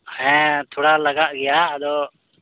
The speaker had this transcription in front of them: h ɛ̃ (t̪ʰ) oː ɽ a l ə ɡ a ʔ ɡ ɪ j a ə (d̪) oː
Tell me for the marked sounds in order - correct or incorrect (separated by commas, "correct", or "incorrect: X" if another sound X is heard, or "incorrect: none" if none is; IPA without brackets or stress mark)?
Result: correct, correct